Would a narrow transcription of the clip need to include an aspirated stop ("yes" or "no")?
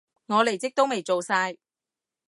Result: no